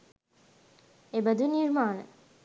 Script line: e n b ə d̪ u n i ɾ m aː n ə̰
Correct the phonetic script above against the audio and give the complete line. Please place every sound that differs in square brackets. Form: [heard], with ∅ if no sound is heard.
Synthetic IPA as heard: e [∅] b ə d̪ u n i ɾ m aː n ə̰